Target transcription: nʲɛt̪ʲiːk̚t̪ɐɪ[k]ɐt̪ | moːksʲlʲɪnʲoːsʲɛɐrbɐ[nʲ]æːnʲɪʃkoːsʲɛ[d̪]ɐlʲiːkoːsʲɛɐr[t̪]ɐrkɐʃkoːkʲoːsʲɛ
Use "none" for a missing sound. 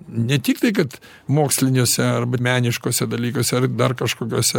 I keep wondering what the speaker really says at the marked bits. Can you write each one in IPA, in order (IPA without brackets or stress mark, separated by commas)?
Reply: k, mʲ, d̪, d̪